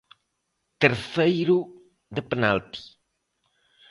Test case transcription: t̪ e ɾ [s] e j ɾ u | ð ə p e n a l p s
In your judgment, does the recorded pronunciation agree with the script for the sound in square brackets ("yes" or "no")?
no